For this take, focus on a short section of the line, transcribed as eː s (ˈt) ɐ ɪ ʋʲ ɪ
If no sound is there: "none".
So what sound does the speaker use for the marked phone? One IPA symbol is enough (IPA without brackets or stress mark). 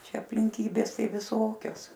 t